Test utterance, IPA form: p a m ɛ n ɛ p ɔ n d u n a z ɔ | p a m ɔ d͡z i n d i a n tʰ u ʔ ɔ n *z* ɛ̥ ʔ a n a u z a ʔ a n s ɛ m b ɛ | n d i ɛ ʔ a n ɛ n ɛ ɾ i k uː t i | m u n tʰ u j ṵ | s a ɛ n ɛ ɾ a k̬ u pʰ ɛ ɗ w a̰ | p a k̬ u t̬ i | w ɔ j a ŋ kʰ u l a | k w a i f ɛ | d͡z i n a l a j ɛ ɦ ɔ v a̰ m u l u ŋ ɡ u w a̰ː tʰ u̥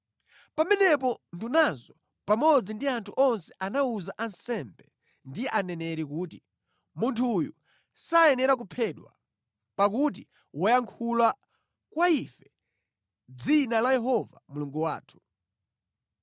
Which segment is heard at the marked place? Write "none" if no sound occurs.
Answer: s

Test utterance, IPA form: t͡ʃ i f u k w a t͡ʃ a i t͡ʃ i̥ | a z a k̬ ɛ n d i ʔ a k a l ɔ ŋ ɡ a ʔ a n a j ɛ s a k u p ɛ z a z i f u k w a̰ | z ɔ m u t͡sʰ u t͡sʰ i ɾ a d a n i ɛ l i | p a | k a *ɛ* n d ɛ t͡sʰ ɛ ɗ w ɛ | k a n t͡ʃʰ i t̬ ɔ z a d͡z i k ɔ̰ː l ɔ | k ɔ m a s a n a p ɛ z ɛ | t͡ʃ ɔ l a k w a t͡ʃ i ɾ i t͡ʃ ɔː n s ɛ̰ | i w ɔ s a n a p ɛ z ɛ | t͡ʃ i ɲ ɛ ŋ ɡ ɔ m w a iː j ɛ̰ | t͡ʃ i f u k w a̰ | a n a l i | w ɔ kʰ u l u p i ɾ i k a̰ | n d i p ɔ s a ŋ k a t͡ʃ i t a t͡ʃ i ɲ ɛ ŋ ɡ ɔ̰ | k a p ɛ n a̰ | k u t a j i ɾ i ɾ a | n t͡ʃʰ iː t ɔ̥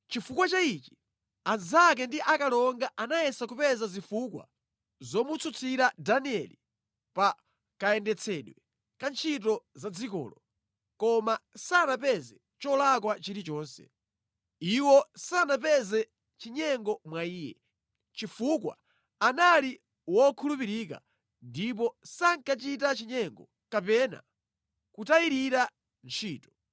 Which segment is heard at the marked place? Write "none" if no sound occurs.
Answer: ɛ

